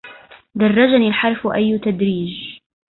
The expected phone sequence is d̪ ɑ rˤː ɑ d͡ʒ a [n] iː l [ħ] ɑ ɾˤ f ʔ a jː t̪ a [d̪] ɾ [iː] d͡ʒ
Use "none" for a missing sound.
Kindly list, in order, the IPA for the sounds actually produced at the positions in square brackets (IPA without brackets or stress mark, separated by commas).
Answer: n, ħ, d̪, iː